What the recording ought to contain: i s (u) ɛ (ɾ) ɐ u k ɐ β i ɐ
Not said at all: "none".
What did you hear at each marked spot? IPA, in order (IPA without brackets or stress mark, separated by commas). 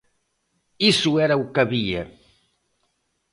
u, ɾ